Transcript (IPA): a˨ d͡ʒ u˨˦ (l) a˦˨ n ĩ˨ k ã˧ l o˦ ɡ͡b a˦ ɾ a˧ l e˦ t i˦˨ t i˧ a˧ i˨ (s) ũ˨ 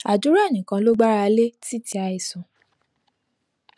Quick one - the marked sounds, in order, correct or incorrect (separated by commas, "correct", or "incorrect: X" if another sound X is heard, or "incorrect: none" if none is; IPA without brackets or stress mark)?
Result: incorrect: ɾ, correct